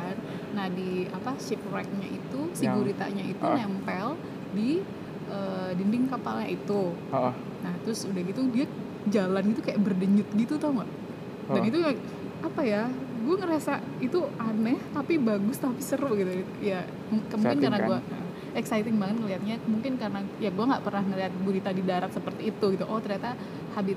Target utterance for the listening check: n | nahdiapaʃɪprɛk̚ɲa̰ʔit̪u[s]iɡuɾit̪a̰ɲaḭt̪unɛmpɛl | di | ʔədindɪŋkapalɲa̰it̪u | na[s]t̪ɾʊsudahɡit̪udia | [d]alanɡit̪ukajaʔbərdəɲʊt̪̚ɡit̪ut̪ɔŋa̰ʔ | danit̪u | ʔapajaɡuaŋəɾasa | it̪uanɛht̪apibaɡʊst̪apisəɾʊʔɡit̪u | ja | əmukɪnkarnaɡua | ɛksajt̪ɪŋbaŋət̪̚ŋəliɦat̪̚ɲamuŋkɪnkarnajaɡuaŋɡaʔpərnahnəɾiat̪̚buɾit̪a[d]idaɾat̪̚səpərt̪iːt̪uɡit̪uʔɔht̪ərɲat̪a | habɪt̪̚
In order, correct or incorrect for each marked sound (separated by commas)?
correct, incorrect, incorrect, correct